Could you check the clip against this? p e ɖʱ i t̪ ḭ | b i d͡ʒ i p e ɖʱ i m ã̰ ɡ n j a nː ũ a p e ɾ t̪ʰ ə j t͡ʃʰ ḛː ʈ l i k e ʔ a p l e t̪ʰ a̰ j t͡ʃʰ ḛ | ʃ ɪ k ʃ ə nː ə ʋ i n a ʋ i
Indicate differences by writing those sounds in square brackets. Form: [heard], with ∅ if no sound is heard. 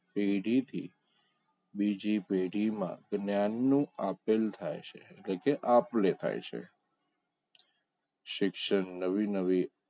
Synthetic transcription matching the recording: p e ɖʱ i [t̪ʰ] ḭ | b i d͡ʒ i p e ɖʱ i m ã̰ ɡ n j a nː ũ a p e [l] t̪ʰ [a] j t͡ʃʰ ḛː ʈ l [e] k e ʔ a p l e t̪ʰ a̰ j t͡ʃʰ ḛ | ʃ ɪ k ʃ ə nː ə ʋ i n [ə] ʋ i